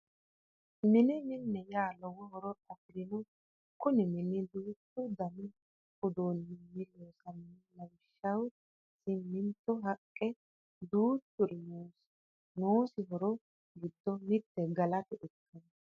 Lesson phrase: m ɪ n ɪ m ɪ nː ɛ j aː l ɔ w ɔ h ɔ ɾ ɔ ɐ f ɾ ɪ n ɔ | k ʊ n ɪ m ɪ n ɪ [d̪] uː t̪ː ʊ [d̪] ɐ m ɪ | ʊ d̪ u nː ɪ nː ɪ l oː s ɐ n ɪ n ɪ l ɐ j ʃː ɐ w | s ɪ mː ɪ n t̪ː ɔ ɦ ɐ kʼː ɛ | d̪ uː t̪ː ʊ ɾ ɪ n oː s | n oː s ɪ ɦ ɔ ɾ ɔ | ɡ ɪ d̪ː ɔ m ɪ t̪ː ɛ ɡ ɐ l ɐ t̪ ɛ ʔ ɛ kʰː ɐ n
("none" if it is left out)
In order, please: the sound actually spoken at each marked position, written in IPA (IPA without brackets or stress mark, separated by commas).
d̪, d̪